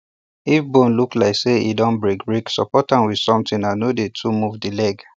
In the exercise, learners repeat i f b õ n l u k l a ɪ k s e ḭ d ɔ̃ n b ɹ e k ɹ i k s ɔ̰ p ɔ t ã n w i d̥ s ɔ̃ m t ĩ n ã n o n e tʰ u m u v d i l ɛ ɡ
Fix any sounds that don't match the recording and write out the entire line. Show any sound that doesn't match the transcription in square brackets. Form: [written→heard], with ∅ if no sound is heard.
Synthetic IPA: i f b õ n l u k l a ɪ k s e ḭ d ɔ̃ n b ɹ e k ɹ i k s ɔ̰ p ɔ t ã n w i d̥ s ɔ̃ m t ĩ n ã n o [n→d] e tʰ u m u v d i l ɛ ɡ